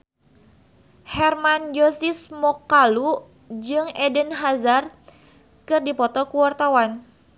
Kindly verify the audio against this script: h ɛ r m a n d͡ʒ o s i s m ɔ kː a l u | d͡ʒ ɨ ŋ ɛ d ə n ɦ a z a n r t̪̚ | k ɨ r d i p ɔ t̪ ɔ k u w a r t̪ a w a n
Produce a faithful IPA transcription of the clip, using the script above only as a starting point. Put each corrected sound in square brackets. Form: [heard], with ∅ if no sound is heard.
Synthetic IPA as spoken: h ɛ r m a n d͡ʒ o s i s m ɔ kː a l u | d͡ʒ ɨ ŋ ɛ d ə n ɦ a z a [∅] r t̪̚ | k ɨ r d i p ɔ t̪ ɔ k u w a r t̪ a w a n